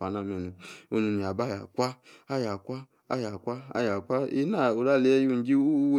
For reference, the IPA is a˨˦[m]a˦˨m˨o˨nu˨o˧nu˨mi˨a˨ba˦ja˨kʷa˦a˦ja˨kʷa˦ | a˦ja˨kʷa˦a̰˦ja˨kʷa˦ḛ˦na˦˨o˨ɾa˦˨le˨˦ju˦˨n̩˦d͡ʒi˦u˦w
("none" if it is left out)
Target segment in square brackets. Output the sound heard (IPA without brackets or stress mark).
n